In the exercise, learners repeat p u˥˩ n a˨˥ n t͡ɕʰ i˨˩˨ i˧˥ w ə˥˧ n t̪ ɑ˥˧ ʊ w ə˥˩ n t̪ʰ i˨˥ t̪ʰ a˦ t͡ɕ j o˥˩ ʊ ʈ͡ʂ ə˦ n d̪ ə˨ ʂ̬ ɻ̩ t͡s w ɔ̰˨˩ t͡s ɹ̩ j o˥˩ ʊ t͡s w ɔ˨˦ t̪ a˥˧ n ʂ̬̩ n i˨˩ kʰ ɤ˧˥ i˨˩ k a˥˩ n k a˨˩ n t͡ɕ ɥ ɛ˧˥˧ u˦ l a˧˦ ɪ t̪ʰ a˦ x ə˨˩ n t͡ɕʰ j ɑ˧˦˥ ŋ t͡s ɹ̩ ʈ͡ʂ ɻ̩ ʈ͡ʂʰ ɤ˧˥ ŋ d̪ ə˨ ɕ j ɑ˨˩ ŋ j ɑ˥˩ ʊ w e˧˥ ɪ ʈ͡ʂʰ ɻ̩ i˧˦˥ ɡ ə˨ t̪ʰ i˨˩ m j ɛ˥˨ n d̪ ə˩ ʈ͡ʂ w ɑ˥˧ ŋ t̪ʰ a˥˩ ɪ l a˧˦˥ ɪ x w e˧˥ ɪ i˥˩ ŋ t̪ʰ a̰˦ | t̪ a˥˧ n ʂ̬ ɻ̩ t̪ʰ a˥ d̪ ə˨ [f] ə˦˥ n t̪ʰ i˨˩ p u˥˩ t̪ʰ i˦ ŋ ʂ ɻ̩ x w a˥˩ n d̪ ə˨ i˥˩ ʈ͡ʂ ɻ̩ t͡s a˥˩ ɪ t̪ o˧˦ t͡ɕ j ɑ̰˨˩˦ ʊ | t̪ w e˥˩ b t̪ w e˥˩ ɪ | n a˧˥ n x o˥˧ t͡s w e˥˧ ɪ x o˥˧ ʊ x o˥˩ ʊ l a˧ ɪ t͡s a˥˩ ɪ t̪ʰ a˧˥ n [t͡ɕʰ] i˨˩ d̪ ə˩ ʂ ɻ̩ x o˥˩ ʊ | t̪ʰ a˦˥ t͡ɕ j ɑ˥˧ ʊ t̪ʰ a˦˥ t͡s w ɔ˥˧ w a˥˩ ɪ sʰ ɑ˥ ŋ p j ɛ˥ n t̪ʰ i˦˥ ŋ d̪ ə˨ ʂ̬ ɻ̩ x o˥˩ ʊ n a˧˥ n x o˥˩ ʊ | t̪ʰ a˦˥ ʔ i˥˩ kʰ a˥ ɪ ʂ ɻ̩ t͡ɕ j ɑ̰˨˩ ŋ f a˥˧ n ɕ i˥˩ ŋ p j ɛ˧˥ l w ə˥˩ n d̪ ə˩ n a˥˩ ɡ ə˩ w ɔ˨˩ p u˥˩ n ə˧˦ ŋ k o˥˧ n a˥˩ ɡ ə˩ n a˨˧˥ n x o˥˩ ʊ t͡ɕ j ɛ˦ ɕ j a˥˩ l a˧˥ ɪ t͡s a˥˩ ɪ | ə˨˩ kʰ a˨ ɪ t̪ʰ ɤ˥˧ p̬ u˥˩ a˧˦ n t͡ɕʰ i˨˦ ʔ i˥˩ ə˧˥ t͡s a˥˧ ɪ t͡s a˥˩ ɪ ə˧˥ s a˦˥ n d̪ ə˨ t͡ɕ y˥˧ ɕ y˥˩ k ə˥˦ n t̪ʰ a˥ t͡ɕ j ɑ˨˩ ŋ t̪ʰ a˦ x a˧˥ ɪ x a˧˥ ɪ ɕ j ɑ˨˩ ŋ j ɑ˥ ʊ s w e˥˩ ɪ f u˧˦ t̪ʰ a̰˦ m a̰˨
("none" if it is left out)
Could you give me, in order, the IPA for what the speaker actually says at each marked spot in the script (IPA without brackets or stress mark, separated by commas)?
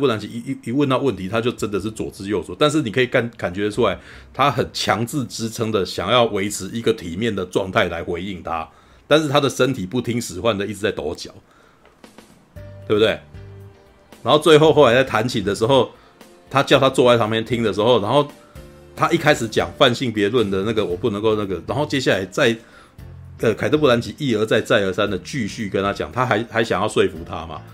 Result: ʂ, t͡ɕʰ